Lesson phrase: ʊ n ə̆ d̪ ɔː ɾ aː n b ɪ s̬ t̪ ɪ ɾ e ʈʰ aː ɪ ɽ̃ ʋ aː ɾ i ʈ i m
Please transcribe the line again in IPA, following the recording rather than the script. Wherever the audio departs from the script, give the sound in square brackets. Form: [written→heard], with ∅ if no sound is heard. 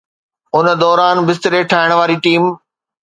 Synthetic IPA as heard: ʊ n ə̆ d̪ ɔː ɾ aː n b ɪ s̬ t̪ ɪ ɾ e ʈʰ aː ɪ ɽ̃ ʋ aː ɾ i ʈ [i→iː] m